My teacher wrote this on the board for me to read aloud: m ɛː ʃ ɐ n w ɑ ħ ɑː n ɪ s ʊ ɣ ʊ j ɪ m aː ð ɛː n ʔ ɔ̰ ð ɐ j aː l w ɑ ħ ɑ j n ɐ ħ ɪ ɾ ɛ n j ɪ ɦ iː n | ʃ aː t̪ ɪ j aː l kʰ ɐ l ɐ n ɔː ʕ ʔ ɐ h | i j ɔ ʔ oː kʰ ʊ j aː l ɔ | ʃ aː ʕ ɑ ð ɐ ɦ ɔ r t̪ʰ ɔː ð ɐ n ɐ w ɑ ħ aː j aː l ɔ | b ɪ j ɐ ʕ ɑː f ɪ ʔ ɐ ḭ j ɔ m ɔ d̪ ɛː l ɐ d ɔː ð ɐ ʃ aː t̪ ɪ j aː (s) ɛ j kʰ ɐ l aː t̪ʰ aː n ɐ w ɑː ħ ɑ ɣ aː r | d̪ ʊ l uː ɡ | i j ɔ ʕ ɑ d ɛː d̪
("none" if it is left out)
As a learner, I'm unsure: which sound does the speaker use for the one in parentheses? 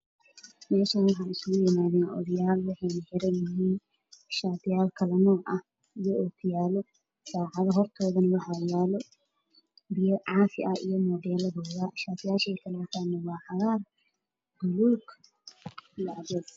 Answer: ʃ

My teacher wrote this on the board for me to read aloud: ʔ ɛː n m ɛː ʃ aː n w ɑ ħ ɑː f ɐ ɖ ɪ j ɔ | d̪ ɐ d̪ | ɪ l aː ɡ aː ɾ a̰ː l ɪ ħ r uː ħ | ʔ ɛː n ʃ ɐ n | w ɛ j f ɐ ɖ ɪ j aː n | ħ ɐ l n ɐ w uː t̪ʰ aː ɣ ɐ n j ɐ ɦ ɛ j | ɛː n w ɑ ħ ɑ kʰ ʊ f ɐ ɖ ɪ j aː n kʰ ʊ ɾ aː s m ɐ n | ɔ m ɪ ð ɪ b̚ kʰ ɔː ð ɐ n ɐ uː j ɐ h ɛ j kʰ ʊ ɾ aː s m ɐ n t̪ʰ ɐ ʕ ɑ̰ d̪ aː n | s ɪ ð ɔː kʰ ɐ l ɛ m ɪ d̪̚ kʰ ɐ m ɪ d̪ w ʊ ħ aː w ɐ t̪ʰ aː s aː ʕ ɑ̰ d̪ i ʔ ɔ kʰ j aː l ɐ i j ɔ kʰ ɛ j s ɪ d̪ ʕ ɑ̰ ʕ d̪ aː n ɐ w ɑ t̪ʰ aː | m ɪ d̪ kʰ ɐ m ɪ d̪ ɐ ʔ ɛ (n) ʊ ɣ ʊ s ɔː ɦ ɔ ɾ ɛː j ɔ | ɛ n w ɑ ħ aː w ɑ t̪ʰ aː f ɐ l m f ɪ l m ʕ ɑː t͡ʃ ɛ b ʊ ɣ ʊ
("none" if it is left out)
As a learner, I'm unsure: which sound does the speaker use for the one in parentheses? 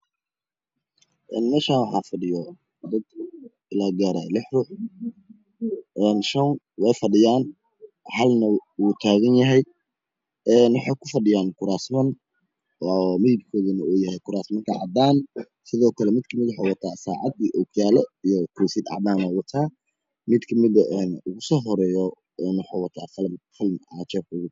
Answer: n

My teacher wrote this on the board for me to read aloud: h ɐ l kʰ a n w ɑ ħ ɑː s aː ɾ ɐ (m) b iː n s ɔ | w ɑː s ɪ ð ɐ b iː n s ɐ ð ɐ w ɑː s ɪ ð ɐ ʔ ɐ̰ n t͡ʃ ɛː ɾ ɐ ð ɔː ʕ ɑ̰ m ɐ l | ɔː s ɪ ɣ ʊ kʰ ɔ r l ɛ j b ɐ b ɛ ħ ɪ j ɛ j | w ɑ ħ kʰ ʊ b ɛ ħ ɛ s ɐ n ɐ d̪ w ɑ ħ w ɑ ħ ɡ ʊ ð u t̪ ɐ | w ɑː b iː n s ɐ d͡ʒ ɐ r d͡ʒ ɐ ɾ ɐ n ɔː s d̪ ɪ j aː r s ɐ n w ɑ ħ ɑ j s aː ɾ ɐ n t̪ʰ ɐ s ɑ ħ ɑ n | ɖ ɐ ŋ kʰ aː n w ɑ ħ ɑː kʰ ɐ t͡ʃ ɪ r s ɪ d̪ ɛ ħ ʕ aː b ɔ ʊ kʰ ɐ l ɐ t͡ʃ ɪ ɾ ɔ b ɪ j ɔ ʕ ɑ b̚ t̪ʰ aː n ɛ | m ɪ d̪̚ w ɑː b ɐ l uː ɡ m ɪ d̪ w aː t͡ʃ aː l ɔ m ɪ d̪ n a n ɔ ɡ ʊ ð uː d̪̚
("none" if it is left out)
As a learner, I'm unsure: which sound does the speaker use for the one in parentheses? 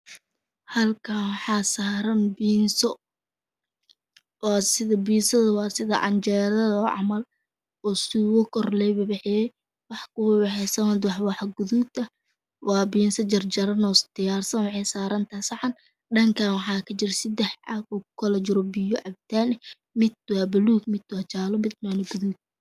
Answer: n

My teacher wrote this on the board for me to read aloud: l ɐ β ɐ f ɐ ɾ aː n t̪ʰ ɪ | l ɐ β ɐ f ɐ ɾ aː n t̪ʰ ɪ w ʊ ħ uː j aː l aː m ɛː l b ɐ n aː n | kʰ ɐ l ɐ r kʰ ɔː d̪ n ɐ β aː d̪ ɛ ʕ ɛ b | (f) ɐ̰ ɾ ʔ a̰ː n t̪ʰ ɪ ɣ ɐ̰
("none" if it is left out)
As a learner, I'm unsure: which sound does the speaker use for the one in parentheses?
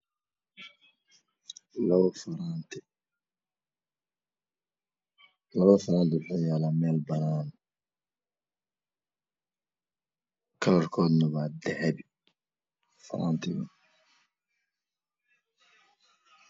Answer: f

